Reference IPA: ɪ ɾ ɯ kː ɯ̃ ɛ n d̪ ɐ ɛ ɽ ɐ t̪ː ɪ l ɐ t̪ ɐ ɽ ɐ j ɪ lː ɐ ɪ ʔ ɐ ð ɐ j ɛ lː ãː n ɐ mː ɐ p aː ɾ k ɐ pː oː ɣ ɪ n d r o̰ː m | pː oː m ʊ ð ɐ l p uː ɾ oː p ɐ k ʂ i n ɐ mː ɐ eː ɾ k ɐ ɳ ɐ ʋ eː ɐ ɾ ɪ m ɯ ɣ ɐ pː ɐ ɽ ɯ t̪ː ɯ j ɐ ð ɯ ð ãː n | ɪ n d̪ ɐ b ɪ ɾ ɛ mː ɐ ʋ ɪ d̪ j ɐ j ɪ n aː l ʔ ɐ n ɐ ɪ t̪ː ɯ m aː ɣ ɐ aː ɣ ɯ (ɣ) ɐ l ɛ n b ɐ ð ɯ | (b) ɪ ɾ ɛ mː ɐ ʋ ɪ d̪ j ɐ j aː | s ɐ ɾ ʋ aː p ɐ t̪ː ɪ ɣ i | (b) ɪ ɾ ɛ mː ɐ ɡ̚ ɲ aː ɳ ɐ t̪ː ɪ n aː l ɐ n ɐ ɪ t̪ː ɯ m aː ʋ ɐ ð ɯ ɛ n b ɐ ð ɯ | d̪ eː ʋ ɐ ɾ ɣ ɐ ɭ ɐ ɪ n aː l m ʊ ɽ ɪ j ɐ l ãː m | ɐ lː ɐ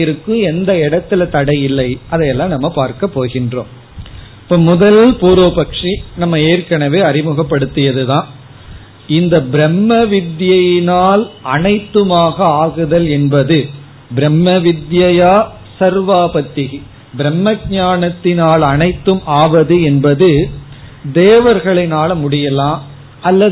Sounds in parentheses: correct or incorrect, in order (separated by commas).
incorrect, correct, correct